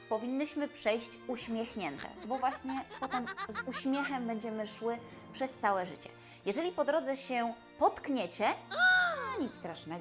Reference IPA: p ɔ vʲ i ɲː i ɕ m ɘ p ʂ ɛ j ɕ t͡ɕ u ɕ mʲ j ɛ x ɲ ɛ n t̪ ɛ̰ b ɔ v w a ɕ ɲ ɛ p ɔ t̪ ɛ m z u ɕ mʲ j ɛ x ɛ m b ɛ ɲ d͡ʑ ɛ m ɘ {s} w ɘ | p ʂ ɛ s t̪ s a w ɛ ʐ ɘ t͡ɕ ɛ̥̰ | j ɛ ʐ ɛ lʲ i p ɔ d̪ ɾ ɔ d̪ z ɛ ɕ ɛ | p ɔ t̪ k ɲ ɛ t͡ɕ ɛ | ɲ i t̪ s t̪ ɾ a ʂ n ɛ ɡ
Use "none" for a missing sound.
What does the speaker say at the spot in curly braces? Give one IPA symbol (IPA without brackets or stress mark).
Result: ʂ